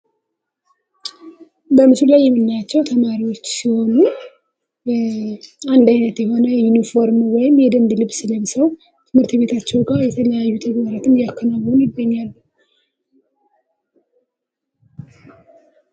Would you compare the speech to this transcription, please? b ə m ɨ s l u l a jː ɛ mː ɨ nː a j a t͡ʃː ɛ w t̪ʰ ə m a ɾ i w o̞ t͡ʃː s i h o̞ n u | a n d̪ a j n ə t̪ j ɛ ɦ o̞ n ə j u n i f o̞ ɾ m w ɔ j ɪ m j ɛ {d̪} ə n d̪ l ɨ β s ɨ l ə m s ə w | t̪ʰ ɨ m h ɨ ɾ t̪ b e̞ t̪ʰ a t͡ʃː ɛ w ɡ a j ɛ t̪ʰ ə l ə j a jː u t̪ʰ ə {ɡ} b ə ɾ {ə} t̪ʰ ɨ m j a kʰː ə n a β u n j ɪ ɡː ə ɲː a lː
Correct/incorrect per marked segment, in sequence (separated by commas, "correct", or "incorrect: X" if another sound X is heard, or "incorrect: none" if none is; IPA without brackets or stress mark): correct, correct, incorrect: a